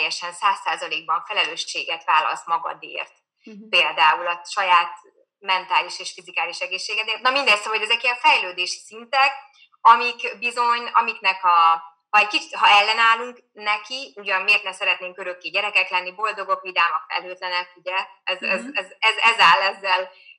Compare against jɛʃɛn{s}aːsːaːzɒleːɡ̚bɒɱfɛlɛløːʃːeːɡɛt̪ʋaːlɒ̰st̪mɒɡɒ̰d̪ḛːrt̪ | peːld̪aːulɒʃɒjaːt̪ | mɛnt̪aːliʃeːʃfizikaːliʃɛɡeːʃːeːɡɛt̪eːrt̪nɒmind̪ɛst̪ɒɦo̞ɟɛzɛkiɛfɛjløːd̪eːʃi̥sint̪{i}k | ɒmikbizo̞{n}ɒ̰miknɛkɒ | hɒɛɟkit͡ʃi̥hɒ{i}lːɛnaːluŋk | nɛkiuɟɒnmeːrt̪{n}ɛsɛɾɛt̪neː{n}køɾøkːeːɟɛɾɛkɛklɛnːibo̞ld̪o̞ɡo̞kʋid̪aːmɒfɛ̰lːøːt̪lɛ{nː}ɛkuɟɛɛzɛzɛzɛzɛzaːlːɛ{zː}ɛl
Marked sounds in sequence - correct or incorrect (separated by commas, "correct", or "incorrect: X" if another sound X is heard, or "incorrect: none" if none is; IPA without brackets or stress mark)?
correct, incorrect: ɛ, incorrect: ɲ, incorrect: ɛ, correct, incorrect: ŋ, incorrect: n, correct